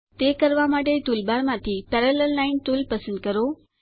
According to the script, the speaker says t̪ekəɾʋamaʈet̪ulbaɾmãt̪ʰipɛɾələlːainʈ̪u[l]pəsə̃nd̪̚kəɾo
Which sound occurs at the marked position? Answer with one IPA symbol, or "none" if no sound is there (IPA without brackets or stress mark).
l